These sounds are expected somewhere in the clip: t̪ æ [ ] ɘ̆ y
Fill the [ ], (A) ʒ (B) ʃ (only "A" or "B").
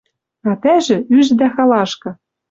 A